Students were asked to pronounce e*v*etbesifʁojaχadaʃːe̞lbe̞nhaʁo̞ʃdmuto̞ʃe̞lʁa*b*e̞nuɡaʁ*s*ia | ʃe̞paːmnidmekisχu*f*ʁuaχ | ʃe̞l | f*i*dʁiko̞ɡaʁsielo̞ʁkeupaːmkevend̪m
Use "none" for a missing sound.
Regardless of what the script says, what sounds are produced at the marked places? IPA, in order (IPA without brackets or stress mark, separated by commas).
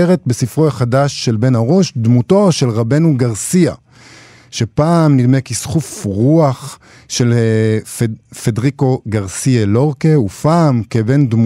ʁ, b, s, f, e